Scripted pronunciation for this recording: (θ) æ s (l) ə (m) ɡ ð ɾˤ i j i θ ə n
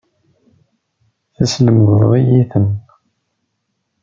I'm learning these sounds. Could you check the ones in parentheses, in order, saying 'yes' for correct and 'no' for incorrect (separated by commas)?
yes, yes, yes